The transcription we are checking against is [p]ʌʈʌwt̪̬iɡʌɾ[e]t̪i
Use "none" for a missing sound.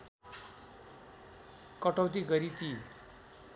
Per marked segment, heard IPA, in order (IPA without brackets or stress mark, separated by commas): k, i